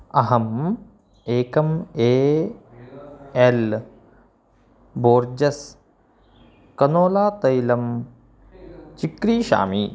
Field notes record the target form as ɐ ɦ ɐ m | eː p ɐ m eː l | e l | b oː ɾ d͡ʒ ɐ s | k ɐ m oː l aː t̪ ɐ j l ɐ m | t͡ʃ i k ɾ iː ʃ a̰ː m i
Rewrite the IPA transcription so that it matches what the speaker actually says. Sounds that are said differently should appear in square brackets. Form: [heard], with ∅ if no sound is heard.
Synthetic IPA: ɐ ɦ ɐ m | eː [k] ɐ m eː [∅] | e l | b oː ɾ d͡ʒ ɐ s | k ɐ [n] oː l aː t̪ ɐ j l ɐ m | t͡ʃ i k ɾ iː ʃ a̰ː m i

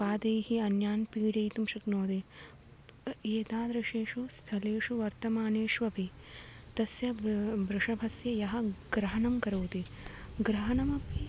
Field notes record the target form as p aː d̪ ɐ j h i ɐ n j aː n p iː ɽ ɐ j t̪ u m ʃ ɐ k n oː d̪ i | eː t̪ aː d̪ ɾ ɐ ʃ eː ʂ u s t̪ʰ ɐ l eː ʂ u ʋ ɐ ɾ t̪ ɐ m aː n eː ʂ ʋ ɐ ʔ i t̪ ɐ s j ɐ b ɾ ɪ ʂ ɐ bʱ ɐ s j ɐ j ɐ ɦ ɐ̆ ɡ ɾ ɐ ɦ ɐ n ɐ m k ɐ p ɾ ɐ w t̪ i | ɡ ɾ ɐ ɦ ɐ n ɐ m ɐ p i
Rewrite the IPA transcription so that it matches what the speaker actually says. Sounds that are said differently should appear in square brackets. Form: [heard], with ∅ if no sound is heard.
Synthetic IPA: p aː d̪ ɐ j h i ɐ n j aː n p iː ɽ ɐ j t̪ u m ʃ ɐ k n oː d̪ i | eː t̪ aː d̪ ɾ ɐ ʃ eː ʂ u s t̪ʰ ɐ l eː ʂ u ʋ ɐ ɾ t̪ ɐ m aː n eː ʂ ʋ ɐ [p] i t̪ ɐ s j ɐ b ɾ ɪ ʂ ɐ bʱ ɐ s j ɐ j ɐ ɦ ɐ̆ ɡ ɾ ɐ ɦ ɐ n ɐ m k ɐ [∅] ɾ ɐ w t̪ i | ɡ ɾ ɐ ɦ ɐ n ɐ m ɐ p i

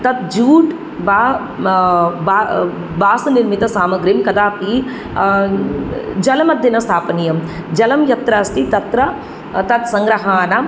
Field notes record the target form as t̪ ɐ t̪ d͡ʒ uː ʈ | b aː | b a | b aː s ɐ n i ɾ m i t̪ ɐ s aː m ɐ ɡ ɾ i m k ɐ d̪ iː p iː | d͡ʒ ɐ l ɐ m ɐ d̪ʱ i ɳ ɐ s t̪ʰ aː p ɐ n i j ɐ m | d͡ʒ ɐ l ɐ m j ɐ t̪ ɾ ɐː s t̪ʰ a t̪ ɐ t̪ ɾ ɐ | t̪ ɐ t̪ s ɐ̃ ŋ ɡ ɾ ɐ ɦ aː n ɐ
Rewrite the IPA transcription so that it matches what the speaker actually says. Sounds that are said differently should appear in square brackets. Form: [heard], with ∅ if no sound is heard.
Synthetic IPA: t̪ ɐ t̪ d͡ʒ uː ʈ | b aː | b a | b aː s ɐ n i ɾ m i t̪ ɐ s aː m ɐ ɡ ɾ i m k ɐ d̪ [aː] p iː | d͡ʒ ɐ l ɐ m ɐ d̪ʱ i [n] ɐ s t̪ʰ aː p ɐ n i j ɐ m | d͡ʒ ɐ l ɐ m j ɐ t̪ ɾ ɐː s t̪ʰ [i] t̪ ɐ t̪ ɾ ɐ | t̪ ɐ t̪ s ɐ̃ ŋ ɡ ɾ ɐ ɦ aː n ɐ

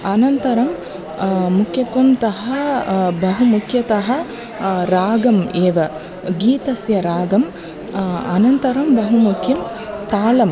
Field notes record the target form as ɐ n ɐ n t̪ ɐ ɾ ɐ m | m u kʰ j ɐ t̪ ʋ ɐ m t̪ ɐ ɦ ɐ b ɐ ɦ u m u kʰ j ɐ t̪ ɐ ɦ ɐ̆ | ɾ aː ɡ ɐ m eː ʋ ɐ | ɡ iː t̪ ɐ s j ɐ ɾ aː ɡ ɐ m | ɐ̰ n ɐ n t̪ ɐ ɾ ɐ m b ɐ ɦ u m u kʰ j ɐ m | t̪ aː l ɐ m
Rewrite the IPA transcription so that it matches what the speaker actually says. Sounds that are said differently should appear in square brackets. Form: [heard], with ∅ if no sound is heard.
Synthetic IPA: ɐ n ɐ n t̪ ɐ ɾ ɐ m | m u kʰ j ɐ t̪ ʋ ɐ m t̪ ɐ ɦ ɐ b ɐ ɦ u m u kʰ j ɐ t̪ ɐ ɦ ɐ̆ | ɾ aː ɡ ɐ m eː ʋ ɐ | ɡ iː t̪ ɐ s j ɐ ɾ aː ɡ ɐ m | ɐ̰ n ɐ n t̪ ɐ ɾ ɐ m b ɐ ɦ u m u kʰ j ɐ m | t̪ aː l ɐ m

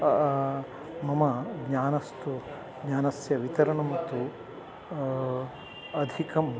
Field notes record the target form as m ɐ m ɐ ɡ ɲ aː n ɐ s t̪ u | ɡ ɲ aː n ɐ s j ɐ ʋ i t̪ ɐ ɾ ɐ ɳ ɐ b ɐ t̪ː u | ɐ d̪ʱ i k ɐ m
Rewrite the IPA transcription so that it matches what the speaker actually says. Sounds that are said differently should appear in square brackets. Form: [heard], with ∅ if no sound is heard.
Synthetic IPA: m ɐ m ɐ ɡ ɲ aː n ɐ s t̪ u | ɡ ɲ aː n ɐ s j ɐ ʋ i t̪ ɐ ɾ ɐ ɳ ɐ [m] ɐ t̪ː u | ɐ d̪ʱ i k ɐ m

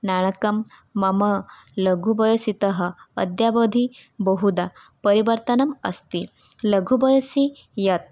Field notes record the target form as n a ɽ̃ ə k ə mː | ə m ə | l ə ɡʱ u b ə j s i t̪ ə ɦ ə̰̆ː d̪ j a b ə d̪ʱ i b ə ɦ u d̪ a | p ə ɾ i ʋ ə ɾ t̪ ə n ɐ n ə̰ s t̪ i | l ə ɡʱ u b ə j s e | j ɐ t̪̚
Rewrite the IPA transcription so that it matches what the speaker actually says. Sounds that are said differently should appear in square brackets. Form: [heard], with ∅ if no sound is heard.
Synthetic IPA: n a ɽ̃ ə k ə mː | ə m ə | l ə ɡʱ u b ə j s i t̪ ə ɦ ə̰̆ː d̪ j a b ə d̪ʱ i b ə ɦ u d̪ a | p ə ɾ i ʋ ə ɾ t̪ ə n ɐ [m] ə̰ s t̪ i | l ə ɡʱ u b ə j s [i] | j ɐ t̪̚

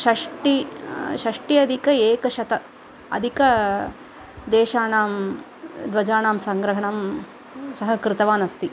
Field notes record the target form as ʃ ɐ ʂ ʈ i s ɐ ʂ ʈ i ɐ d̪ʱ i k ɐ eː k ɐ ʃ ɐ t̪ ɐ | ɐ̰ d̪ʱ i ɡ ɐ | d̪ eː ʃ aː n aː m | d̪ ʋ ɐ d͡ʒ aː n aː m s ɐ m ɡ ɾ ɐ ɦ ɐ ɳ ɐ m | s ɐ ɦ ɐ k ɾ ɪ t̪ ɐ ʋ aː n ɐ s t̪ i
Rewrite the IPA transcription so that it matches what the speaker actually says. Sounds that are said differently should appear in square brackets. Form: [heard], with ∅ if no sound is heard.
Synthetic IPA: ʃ ɐ ʂ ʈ i [ʃ] ɐ ʂ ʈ i ɐ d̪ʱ i k ɐ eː k ɐ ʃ ɐ t̪ ɐ | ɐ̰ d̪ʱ i [k] ɐ | d̪ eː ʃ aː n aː m | d̪ ʋ ɐ d͡ʒ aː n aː m s ɐ [ŋ] ɡ ɾ ɐ ɦ ɐ ɳ ɐ m | s ɐ ɦ ɐ k ɾ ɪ t̪ ɐ ʋ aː n ɐ s t̪ i

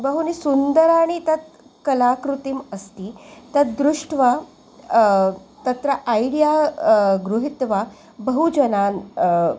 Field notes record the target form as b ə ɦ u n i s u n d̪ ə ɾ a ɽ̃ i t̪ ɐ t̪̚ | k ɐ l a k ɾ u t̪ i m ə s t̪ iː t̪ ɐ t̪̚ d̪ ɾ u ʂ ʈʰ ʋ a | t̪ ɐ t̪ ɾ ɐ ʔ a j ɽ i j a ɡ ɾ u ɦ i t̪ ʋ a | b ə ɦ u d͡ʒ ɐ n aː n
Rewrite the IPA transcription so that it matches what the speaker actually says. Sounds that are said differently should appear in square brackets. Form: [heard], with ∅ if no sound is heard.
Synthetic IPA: b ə ɦ u n i s u n d̪ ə ɾ a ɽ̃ i t̪ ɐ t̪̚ | k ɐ l a k ɾ u t̪ i m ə s t̪ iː t̪ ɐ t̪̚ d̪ ɾ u ʂ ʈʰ ʋ a | t̪ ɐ t̪ ɾ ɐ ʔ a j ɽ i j a ɡ ɾ u ɦ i t̪ ʋ a | b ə ɦ u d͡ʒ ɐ n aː n

